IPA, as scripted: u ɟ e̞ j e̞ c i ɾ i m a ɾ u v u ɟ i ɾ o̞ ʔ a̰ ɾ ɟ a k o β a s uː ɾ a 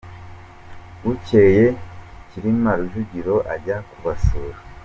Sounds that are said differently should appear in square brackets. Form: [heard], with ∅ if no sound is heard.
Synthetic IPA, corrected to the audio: u [c] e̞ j e̞ c i ɾ i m a ɾ u [ʒ] u ɟ i ɾ o̞ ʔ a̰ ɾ ɟ a k [u] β a s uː ɾ a